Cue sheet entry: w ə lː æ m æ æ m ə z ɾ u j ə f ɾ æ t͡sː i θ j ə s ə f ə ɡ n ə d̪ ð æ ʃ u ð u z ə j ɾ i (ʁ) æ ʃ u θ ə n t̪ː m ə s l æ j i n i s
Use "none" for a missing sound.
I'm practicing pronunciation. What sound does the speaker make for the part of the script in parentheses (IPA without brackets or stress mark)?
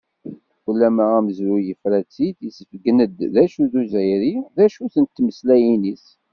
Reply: ð